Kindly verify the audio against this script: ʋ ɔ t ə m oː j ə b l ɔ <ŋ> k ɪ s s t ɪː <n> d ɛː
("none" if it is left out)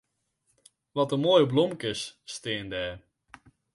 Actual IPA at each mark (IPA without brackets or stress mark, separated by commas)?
m, n